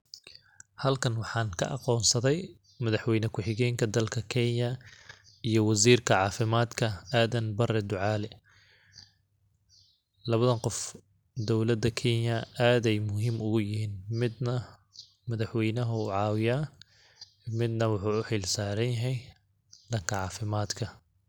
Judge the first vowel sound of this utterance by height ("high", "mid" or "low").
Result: low